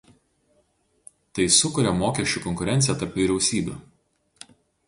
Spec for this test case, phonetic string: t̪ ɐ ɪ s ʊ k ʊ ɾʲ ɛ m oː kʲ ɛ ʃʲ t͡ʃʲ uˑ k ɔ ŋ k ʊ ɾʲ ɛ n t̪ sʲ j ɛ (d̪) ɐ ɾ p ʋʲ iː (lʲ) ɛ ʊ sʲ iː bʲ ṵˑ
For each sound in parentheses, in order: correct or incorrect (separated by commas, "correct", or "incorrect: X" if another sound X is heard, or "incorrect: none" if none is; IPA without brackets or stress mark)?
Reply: incorrect: t̪, incorrect: ɾʲ